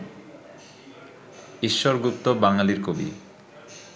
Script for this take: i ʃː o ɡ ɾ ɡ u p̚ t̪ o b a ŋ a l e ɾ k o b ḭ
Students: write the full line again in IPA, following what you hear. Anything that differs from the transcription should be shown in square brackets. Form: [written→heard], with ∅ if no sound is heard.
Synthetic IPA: i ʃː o [ɡ→∅] ɾ ɡ u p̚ t̪ o b a ŋ a l [e→i] ɾ k o b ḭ